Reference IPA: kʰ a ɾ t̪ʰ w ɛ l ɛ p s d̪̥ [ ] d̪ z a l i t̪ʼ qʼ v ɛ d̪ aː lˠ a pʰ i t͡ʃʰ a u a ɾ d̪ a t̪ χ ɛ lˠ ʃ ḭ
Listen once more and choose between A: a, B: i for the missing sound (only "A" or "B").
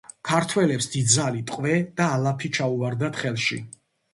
B